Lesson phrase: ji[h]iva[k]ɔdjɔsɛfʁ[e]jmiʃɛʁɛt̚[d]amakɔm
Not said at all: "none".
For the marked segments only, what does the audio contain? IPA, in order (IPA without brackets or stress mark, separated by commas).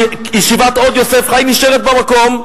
ʃ, t, a, b